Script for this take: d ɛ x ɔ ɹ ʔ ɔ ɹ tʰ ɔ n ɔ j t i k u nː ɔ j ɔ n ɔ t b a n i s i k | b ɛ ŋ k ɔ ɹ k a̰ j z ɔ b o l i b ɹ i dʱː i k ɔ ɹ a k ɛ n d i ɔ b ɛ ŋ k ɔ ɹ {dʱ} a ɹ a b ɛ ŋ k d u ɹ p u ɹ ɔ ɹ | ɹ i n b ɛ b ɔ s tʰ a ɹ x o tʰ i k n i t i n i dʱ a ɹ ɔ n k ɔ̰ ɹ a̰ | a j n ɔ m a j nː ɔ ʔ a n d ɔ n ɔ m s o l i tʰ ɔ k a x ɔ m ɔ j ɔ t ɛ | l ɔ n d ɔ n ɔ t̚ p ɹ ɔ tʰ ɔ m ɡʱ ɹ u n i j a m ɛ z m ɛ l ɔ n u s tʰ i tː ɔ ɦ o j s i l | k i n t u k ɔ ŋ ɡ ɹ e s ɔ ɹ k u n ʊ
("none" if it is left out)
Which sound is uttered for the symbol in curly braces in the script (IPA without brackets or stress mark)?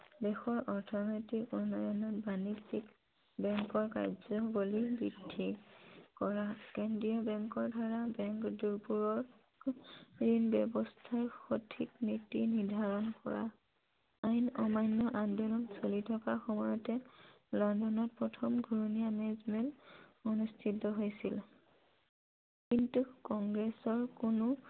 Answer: dʱ